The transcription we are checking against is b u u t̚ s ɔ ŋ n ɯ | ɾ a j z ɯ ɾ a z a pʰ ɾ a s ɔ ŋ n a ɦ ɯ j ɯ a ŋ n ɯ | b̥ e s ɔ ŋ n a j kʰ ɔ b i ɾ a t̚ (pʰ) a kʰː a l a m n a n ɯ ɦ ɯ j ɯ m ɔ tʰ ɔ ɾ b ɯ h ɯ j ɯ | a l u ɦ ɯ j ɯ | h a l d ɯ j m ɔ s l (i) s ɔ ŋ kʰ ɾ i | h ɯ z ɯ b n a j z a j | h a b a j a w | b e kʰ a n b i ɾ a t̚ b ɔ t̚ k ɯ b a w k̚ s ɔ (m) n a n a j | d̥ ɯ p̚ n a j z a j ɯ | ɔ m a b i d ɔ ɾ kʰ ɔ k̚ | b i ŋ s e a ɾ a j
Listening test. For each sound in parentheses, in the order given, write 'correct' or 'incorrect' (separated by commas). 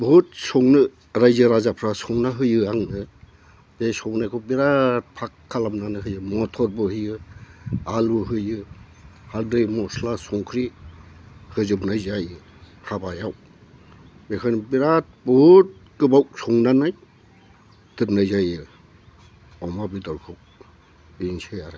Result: correct, incorrect, incorrect